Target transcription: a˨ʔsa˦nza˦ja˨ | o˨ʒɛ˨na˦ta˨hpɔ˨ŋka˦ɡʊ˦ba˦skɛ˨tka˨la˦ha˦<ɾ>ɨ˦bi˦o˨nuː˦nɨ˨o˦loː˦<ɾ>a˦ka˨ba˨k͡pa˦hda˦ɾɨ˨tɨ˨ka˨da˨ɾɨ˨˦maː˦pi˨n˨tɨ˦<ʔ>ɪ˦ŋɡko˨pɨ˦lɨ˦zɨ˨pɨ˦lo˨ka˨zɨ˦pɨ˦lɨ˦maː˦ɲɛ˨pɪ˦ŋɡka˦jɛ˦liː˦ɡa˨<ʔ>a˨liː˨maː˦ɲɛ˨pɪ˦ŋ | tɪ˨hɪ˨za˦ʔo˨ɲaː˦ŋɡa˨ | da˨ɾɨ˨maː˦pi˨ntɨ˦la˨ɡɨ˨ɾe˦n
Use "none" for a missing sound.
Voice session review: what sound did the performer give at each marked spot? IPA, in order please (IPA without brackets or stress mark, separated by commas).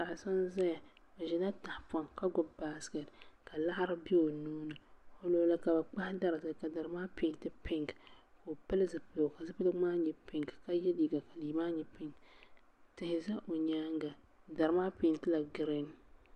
ɾ, l, p, k